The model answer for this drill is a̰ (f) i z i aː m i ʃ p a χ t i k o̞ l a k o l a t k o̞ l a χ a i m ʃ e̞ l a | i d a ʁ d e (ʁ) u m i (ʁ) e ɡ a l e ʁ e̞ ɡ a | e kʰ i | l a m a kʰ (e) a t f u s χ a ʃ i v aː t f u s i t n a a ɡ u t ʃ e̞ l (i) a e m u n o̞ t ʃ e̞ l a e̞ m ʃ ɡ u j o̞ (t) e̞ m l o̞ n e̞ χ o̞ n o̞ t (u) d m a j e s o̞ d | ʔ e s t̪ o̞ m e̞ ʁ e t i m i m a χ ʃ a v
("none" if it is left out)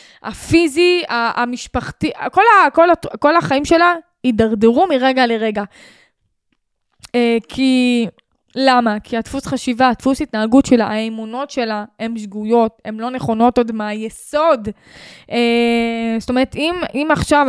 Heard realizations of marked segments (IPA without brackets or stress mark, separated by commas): f, ʁ, ʁ, i, a, t, o